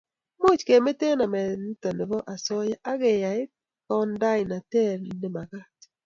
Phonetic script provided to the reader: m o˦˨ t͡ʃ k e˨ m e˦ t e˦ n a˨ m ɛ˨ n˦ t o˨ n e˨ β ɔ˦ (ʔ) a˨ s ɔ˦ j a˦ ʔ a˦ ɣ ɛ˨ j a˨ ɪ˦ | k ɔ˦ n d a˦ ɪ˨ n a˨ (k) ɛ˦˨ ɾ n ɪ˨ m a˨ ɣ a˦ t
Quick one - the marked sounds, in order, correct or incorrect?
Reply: correct, incorrect

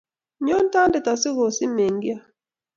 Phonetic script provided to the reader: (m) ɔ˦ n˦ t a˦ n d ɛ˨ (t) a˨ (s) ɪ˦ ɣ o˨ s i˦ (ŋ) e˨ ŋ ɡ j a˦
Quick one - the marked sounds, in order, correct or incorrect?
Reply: incorrect, correct, correct, incorrect

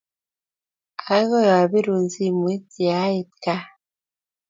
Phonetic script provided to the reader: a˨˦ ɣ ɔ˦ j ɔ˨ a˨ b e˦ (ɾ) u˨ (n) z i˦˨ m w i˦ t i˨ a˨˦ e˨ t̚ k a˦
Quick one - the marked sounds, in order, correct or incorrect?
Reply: correct, correct

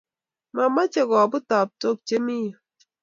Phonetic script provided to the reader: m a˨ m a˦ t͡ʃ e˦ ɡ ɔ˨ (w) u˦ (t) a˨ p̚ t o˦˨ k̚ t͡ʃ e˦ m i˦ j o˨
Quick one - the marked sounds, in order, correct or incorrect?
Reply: incorrect, correct

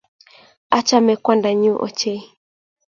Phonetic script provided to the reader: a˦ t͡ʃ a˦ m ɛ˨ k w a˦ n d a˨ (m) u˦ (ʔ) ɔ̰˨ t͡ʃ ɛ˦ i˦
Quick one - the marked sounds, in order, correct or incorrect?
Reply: incorrect, correct

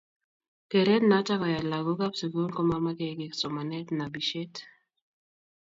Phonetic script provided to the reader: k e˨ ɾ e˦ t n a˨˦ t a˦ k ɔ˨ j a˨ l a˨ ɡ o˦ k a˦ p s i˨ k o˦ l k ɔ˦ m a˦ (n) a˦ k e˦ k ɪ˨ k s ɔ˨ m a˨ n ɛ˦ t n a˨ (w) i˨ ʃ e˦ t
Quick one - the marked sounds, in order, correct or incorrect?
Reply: incorrect, incorrect

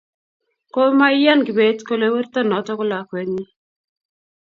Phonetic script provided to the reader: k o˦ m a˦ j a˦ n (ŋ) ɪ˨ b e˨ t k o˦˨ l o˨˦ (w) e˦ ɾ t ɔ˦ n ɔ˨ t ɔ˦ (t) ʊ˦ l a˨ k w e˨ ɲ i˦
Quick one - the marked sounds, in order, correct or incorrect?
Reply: incorrect, correct, incorrect

